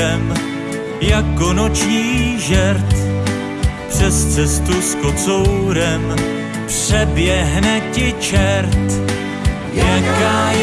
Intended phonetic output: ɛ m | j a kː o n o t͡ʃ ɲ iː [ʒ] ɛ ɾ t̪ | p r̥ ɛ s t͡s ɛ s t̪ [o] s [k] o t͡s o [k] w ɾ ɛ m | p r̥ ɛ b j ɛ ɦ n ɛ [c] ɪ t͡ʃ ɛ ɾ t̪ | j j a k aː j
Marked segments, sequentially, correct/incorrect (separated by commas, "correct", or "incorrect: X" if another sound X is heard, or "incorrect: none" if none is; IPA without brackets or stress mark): correct, incorrect: u, correct, incorrect: none, correct